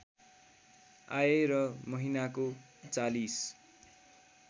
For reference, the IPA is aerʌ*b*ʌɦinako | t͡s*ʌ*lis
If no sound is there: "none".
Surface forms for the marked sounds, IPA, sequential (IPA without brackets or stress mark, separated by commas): m, a